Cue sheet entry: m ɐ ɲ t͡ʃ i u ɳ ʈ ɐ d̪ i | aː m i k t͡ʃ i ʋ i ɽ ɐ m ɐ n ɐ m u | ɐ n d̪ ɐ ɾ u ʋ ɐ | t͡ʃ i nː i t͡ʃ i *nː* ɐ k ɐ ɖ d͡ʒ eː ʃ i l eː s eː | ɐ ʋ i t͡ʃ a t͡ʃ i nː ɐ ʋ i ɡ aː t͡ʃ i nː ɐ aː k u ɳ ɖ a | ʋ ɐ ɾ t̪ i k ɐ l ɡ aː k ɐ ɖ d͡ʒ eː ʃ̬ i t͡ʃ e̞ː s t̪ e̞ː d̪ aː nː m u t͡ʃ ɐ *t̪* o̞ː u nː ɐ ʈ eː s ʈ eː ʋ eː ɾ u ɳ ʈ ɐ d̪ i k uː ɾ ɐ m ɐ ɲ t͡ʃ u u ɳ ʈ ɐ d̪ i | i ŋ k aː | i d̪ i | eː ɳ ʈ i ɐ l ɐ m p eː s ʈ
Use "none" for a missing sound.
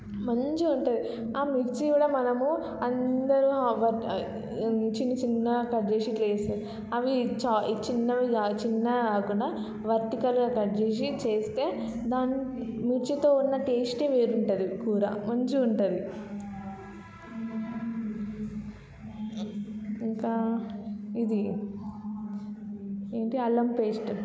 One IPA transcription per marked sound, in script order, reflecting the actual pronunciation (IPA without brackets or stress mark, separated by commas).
nː, t̪